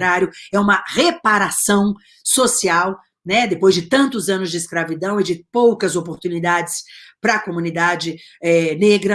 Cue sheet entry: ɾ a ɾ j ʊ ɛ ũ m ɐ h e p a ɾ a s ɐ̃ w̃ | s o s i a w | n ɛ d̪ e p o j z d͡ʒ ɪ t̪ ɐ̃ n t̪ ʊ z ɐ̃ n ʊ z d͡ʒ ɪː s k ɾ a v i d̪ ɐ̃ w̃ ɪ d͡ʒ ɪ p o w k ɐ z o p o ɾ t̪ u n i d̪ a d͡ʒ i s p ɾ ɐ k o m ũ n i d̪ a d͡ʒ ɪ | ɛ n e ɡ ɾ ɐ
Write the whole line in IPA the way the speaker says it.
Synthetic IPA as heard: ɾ a ɾ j ʊ ɛ ũ m ɐ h e p a ɾ a s ɐ̃ w̃ | s o s i a w | n ɛ d̪ e p o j z d͡ʒ ɪ t̪ ɐ̃ n t̪ ʊ z ɐ̃ n ʊ z d͡ʒ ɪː s k ɾ a v i d̪ ɐ̃ w̃ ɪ d͡ʒ ɪ p o w k ɐ z o p o ɾ t̪ u n i d̪ a d͡ʒ ɪ s p ɾ ɐ k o m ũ n i d̪ a d͡ʒ ɪ | ɛ n e ɡ ɾ ɐ